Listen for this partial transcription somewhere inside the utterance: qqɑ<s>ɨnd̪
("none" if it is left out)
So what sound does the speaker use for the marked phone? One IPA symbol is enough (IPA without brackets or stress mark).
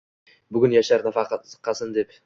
s